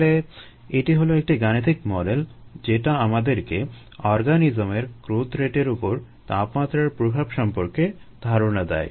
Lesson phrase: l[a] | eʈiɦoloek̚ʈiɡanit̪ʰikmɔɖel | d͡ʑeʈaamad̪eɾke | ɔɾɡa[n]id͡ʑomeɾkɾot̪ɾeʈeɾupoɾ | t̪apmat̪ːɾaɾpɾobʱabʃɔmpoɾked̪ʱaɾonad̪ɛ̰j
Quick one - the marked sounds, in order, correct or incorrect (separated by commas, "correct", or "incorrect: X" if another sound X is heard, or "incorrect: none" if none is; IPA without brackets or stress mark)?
incorrect: e, correct